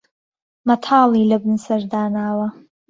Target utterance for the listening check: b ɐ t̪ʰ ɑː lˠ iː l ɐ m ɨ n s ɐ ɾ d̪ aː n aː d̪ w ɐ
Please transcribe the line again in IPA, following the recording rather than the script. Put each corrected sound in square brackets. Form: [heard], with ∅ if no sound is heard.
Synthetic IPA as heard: [m] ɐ t̪ʰ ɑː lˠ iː l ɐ [b] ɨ n s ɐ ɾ d̪ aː n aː [∅] w ɐ